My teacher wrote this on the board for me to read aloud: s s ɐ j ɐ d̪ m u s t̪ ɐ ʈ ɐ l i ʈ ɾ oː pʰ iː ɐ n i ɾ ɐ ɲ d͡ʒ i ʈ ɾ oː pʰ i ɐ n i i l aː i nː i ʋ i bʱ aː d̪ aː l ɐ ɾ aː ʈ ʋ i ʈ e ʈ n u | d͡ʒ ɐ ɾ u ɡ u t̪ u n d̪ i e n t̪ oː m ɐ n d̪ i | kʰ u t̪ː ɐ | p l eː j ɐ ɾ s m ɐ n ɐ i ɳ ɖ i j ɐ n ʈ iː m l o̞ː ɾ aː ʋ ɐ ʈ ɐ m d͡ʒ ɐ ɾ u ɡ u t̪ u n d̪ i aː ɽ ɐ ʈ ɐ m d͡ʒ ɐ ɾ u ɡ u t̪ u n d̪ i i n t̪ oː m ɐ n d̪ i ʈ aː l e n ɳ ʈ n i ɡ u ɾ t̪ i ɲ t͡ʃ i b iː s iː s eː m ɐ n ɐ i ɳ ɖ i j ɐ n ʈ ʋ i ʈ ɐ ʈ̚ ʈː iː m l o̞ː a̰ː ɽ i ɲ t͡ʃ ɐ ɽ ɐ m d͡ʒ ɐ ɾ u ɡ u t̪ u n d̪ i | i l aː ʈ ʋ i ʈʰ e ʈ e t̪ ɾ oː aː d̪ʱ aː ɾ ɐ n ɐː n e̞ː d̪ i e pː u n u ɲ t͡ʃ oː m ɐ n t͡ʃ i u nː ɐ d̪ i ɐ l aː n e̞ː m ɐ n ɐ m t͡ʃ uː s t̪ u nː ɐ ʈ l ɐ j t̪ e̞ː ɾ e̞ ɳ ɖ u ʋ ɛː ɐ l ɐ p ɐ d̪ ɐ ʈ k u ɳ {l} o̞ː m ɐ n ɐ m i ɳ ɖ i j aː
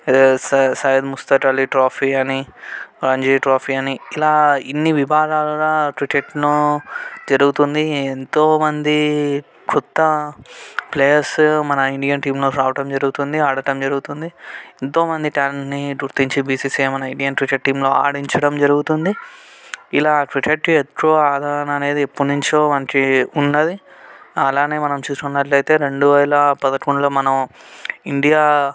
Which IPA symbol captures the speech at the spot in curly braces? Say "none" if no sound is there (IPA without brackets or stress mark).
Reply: l